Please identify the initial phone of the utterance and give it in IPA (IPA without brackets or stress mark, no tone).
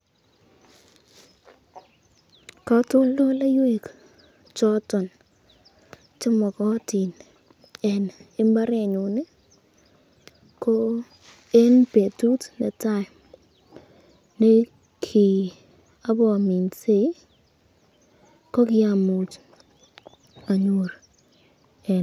k